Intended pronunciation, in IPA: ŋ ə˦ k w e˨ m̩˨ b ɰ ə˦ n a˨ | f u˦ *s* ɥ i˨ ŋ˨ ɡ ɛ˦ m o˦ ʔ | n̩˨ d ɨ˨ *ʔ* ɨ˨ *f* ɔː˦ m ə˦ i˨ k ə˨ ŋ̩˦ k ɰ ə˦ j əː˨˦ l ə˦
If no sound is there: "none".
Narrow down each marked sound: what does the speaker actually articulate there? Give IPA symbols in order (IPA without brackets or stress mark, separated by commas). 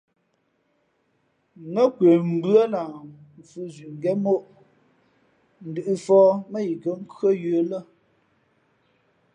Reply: z, ʔ, f